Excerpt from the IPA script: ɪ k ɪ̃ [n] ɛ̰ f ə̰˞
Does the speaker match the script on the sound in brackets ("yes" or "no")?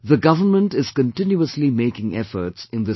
no